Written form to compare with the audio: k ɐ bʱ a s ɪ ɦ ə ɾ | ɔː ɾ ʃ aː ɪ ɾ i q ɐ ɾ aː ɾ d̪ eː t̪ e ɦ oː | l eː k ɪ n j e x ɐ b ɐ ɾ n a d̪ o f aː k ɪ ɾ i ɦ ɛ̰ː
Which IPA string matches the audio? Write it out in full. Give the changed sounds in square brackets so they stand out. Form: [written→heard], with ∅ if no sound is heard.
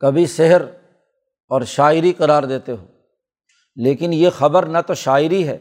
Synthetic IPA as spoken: k ɐ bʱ [a→i] s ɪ ɦ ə ɾ | ɔː ɾ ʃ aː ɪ ɾ i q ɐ ɾ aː ɾ d̪ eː t̪ e ɦ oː | l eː k ɪ n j e x ɐ b [ɐ→ə] ɾ n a [d̪→t̪] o [f→ʃ] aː [k→∅] ɪ ɾ i ɦ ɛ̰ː